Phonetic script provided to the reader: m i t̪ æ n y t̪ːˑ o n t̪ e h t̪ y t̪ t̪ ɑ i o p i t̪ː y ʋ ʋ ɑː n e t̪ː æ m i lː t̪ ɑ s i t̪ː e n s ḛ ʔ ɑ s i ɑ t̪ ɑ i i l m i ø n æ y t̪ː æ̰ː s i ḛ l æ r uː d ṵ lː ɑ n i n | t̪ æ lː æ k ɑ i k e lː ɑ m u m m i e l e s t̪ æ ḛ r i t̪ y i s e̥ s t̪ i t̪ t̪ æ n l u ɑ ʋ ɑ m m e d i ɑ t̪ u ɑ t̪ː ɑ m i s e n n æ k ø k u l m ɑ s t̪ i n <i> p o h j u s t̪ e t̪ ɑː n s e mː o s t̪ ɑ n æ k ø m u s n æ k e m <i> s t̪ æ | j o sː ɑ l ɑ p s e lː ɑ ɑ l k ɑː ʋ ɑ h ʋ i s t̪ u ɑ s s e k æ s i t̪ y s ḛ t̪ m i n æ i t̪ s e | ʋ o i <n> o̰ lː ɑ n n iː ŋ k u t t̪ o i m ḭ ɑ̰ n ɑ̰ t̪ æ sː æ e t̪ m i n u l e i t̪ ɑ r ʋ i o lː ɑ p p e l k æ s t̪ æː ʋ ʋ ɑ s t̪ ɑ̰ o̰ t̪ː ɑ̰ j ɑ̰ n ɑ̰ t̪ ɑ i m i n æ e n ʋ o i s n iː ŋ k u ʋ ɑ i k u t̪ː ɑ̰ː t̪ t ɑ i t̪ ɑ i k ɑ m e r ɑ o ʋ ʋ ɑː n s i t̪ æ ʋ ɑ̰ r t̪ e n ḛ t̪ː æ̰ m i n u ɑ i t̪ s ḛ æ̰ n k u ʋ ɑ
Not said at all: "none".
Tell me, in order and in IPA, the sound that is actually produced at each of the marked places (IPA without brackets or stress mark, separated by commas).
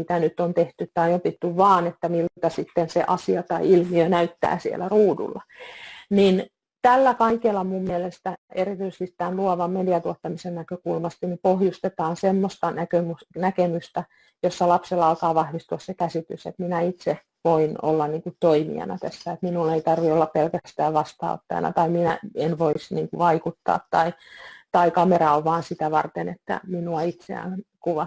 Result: i, y, n